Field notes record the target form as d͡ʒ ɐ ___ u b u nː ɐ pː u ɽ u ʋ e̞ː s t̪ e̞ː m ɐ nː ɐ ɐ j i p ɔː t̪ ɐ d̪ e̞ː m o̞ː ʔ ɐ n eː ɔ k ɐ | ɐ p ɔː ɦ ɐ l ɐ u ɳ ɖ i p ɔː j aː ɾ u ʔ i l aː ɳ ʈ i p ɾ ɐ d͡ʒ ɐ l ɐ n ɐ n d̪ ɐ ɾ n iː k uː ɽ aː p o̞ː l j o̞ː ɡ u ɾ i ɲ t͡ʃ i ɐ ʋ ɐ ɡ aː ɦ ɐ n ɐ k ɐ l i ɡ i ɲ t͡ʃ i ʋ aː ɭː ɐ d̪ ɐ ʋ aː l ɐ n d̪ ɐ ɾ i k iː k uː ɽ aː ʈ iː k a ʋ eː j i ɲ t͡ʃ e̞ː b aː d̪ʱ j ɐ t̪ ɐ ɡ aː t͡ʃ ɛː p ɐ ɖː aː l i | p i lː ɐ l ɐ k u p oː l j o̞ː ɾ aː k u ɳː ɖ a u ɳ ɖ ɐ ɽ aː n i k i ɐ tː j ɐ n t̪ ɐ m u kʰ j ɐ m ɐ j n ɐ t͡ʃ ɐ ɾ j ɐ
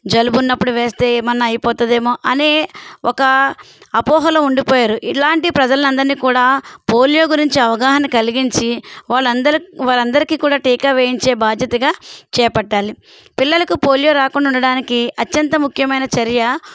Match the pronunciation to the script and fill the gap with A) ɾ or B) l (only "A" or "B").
B